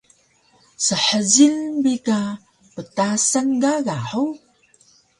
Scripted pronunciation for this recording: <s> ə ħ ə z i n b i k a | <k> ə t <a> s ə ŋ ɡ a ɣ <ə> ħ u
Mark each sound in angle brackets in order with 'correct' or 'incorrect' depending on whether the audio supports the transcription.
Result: correct, incorrect: p, correct, incorrect: a

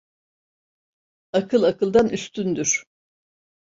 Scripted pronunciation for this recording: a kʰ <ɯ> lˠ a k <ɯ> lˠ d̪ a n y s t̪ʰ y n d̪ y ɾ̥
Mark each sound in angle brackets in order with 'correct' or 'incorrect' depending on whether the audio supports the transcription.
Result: correct, correct

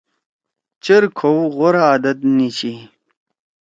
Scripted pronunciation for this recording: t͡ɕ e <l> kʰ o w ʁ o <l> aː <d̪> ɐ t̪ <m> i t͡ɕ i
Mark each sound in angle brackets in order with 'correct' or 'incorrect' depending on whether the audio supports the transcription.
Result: incorrect: ɾ, incorrect: ɾ, correct, incorrect: n

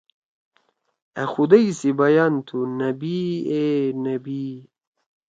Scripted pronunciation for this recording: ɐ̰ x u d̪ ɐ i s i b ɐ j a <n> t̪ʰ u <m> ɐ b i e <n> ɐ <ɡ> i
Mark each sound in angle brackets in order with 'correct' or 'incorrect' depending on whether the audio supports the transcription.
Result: correct, incorrect: n, correct, incorrect: b

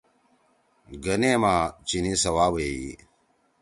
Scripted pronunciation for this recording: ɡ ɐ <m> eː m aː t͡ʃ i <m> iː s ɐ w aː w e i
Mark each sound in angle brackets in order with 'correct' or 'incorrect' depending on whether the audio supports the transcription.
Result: incorrect: n, incorrect: n

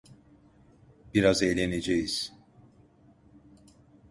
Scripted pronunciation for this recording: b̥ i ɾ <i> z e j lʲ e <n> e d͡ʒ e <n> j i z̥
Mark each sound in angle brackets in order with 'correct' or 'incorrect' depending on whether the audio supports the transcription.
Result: incorrect: a, correct, incorrect: none

